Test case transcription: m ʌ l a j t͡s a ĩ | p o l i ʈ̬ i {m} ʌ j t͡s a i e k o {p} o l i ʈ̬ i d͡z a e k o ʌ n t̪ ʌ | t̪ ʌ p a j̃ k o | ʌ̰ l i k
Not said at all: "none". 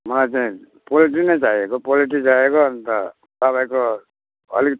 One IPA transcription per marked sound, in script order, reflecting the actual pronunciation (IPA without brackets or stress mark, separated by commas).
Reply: n, p